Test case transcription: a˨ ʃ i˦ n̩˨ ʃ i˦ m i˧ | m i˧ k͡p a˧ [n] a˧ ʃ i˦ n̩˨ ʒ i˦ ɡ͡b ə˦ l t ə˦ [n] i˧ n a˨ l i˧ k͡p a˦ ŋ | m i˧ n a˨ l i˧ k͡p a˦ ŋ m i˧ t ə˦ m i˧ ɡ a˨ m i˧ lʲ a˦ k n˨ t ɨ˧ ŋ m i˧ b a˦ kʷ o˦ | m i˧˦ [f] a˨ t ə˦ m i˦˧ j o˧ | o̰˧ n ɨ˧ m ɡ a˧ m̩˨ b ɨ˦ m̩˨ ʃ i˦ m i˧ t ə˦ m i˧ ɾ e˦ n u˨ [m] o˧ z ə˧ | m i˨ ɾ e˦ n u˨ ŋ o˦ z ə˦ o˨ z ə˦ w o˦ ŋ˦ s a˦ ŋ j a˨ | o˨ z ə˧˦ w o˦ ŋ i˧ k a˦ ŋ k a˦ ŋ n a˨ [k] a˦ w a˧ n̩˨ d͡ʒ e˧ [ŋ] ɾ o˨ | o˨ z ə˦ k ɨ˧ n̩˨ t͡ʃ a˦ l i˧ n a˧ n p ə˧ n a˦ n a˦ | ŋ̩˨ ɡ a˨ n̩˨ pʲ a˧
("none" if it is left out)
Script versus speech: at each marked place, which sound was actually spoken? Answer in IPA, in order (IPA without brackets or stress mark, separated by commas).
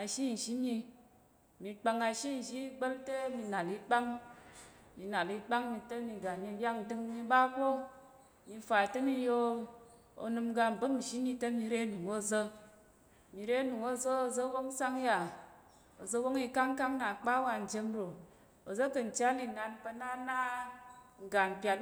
ŋ, m, f, ŋ, k͡p, m